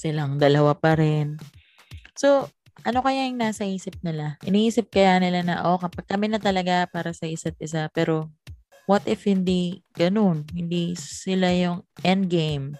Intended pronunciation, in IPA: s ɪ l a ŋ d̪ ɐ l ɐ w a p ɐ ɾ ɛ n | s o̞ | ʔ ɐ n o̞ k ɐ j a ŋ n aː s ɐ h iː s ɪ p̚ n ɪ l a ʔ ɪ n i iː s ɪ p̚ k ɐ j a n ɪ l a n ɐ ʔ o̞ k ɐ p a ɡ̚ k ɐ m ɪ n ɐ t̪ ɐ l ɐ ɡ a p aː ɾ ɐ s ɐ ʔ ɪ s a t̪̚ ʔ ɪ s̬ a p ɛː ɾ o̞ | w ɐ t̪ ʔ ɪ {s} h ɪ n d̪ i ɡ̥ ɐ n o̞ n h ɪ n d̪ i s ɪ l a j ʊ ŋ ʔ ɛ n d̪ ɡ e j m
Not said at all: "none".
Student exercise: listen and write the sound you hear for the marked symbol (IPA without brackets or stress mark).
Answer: f